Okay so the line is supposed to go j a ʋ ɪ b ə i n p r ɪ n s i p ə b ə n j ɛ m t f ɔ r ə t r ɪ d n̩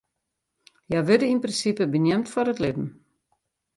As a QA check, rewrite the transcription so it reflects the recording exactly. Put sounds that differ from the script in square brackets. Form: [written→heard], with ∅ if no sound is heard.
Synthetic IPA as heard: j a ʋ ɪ [b→d] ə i n p r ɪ n s i p ə b ə n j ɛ m t f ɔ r ə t [r→l] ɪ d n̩

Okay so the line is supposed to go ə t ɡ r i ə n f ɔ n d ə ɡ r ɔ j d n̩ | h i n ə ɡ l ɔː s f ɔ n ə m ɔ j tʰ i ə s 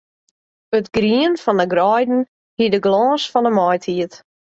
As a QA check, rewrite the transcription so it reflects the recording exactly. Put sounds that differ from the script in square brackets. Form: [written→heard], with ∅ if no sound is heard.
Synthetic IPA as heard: ə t ɡ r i ə n f ɔ n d ə ɡ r ɔ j d n̩ | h i [n→d] ə ɡ l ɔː s f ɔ n ə m ɔ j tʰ i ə [s→t]

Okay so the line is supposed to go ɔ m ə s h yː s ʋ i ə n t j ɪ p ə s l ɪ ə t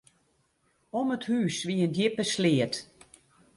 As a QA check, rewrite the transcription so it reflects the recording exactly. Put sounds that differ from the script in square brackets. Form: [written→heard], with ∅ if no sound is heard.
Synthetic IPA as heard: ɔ m ə [s→t] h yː s ʋ i ə n [t→d] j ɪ p ə s l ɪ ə t

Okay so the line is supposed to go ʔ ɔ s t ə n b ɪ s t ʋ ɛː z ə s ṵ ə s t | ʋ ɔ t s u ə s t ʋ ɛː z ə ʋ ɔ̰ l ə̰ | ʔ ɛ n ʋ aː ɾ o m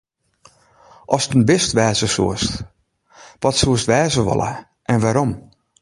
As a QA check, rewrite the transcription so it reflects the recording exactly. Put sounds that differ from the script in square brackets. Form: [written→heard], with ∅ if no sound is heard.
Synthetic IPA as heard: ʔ ɔ s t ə n b ɪ s t ʋ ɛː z ə s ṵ ə s t | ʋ ɔ t s u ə s t ʋ ɛː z ə ʋ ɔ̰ l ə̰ | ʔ ɛ n ʋ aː ɾ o m

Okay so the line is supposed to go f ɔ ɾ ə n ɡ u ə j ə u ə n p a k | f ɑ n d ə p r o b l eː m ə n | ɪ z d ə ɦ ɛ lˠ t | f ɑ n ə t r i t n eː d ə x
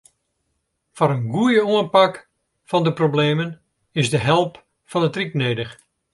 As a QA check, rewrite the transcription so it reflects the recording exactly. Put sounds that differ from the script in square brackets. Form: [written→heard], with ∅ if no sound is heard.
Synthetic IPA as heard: f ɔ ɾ ə n ɡ u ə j ə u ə n p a k | f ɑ n d ə p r o b l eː m ə n | ɪ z d ə ɦ ɛ lˠ [t→p] | f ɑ n ə t r i [t→k] n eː d ə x

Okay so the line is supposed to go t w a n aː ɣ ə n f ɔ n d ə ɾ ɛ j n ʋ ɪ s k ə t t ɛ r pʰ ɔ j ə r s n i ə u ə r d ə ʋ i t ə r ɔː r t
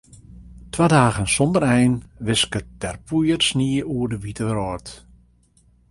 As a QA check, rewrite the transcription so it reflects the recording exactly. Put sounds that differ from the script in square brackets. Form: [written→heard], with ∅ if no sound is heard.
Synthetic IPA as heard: t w a [n→d] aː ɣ ə n [f→s] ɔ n d ə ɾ ɛ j n ʋ ɪ s k ə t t ɛ r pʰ [ɔ→u] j ə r s n i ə u ə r d ə ʋ i t ə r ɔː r t

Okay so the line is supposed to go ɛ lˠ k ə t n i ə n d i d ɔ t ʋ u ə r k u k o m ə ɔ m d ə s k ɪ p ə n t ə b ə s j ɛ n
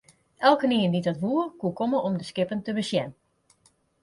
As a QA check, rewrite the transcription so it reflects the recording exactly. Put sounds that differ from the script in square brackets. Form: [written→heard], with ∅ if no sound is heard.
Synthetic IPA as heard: ɛ lˠ k ə [t→∅] n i ə n d i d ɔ t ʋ u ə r k u k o m ə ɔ m d ə s k ɪ p ə n t ə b ə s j ɛ n

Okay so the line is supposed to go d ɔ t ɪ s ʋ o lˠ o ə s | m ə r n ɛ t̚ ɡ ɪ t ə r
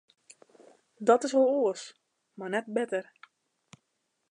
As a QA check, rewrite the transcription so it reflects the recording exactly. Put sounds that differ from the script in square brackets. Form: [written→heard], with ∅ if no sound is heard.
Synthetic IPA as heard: d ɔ t ɪ s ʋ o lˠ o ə s | m [ə→a] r n ɛ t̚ [ɡ→b] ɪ t ə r

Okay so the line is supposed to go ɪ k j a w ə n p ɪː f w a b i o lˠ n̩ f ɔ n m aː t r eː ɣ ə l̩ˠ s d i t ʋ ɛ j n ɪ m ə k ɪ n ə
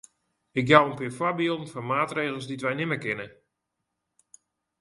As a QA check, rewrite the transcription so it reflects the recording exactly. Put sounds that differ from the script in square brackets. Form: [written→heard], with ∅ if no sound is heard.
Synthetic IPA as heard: ɪ k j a w ə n p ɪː f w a b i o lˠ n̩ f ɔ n m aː t r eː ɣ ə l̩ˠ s d i t ʋ ɛ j n ɪ m ə k ɪ n ə

